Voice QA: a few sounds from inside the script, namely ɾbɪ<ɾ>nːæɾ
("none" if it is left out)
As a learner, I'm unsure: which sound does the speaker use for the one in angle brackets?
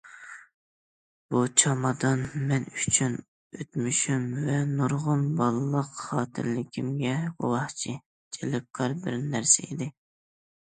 ɾ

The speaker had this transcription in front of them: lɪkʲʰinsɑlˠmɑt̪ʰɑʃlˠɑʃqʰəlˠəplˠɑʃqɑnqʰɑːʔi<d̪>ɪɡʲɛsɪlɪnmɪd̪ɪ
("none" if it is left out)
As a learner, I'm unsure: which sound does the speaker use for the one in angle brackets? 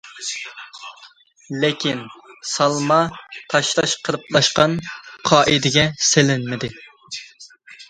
d̪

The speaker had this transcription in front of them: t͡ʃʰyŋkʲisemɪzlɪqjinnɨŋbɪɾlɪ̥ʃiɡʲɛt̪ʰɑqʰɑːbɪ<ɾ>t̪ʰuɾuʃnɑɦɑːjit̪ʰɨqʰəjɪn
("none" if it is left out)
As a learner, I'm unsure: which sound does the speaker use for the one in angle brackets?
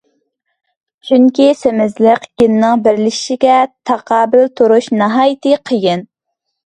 l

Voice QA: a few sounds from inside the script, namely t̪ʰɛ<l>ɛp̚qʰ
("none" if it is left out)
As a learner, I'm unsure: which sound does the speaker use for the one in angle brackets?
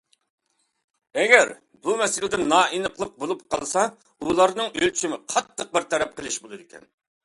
ɾ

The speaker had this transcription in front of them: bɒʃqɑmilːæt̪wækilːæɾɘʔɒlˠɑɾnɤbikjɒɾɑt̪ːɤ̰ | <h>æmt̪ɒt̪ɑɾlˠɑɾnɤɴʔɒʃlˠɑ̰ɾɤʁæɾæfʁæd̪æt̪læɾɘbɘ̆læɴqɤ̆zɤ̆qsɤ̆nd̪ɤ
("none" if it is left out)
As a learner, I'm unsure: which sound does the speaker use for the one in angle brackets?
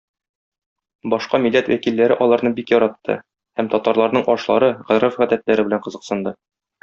h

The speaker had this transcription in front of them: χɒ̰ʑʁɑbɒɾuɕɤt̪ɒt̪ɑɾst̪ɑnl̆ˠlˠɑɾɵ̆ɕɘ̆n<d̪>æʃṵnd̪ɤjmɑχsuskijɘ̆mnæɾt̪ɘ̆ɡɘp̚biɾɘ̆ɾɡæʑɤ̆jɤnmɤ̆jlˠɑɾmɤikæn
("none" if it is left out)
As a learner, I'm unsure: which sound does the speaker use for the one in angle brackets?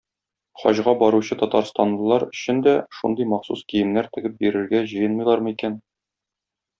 d̪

